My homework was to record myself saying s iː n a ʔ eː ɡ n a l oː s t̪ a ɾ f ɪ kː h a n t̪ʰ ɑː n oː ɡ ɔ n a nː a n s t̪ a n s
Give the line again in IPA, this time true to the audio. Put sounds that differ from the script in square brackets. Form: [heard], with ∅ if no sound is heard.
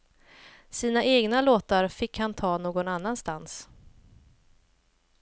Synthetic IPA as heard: s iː n a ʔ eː ɡ n a l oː [∅] t̪ a ɾ f ɪ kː h a n t̪ʰ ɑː n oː ɡ ɔ n a nː a n s t̪ a n s